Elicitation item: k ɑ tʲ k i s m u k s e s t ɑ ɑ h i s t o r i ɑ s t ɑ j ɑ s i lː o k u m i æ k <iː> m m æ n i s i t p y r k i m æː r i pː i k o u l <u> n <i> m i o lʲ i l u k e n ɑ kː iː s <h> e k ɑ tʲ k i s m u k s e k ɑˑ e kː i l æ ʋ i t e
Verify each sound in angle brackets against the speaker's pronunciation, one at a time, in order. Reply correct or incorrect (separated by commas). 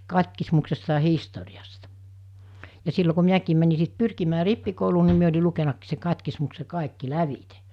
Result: correct, incorrect, correct, incorrect